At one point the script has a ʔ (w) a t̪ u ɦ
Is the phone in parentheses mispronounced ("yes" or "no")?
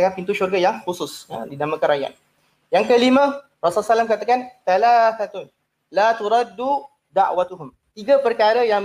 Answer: no